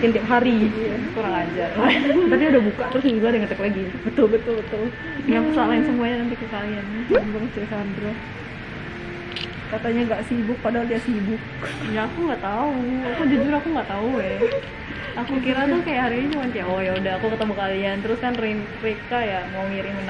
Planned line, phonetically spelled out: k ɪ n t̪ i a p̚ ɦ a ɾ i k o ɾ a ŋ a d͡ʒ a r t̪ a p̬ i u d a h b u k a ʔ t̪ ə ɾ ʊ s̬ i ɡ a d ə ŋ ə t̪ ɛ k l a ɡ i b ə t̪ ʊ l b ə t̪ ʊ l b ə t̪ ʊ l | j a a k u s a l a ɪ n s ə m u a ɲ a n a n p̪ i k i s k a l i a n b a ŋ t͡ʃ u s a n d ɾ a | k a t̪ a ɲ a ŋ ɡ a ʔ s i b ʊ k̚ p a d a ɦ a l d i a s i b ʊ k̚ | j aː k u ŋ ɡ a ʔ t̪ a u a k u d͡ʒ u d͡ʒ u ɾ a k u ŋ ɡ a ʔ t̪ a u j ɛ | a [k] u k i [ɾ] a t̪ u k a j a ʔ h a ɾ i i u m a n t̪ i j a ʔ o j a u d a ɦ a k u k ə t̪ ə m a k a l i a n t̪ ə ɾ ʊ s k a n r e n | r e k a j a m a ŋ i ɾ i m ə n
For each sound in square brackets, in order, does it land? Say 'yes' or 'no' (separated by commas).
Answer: yes, yes